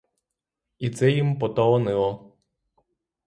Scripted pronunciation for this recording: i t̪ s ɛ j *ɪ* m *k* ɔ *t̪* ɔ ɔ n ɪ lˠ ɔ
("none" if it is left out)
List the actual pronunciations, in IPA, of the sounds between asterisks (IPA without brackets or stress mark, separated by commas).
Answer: i, p, t̪